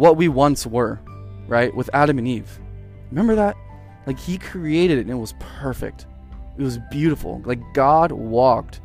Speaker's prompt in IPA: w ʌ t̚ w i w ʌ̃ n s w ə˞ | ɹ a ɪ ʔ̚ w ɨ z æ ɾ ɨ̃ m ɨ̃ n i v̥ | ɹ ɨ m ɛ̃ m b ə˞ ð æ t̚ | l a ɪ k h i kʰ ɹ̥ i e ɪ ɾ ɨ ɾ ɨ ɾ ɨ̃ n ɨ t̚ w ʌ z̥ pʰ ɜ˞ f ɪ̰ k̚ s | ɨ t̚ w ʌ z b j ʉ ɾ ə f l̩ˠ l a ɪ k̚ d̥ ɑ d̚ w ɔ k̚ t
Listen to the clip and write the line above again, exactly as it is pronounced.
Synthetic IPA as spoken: w ʌ t̚ w i w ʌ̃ n s w ə˞ | ɹ a ɪ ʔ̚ w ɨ ð æ ɾ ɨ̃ m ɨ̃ n i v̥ | ɹ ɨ m ɛ̃ m b ə˞ ð æ t̚ | l a ɪ k h i kʰ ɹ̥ i e ɪ ɾ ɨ ɾ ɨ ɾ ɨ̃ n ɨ t̚ w ʌ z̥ pʰ ɜ˞ f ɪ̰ k̚ t | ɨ t̚ w ʌ z b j ʉ ɾ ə f l̩ˠ l a ɪ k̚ ɡ̥ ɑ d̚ w ɔ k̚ t